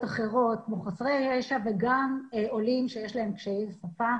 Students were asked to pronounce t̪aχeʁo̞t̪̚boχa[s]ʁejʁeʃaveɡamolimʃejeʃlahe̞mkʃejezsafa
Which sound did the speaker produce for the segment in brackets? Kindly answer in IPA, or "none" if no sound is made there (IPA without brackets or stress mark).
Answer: s